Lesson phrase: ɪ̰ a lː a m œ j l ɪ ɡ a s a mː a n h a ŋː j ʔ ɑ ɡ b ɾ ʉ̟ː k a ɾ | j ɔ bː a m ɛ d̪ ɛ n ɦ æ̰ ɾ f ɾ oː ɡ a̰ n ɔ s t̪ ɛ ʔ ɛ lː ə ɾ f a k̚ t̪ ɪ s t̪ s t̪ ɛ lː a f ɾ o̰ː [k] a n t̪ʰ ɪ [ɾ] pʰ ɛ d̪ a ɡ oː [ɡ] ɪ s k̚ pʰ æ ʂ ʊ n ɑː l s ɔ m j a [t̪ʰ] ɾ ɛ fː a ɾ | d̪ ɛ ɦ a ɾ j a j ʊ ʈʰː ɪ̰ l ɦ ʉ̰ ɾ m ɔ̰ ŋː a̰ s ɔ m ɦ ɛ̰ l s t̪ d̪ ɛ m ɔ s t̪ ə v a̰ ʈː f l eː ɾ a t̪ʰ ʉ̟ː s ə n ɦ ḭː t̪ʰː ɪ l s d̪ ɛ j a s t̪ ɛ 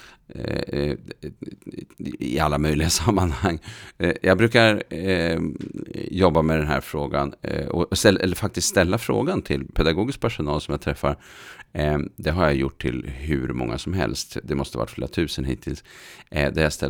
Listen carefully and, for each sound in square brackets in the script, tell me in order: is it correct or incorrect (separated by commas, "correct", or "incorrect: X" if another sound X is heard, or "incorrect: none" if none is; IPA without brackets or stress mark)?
incorrect: ɡ, incorrect: l, correct, correct